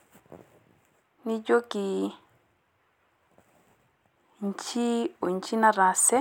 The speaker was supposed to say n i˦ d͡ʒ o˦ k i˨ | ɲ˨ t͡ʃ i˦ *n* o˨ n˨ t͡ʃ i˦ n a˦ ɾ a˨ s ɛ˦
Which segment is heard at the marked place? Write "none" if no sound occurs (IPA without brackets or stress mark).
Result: none